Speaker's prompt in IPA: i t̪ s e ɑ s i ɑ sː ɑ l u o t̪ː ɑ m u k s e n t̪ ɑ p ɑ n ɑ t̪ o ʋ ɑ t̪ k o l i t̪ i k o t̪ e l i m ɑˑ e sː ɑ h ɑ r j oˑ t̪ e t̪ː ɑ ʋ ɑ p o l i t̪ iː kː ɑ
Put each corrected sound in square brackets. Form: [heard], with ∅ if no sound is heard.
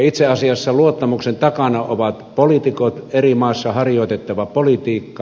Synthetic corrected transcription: i t̪ s e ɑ s i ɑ sː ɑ l u o t̪ː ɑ m u k s e n t̪ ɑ [k] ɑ n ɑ [∅] o ʋ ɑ t̪ [p] o l i t̪ i k o t̪ e [r] i m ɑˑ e sː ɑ h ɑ r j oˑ t̪ e t̪ː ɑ ʋ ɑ p o l i t̪ iː kː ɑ